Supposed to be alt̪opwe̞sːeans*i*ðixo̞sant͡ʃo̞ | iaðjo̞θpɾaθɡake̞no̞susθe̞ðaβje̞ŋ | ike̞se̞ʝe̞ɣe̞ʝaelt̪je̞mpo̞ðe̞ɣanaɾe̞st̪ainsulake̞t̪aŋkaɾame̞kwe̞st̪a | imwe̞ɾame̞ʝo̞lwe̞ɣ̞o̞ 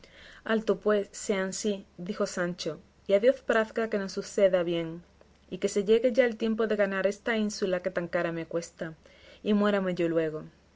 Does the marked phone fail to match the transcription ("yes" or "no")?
no